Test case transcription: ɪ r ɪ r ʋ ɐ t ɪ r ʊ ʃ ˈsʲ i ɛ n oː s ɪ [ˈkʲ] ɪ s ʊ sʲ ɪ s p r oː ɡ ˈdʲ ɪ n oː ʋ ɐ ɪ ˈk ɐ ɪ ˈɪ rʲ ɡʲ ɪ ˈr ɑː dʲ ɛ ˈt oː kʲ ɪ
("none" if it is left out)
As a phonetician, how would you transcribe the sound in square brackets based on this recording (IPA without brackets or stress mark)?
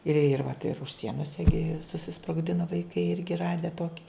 ɡʲ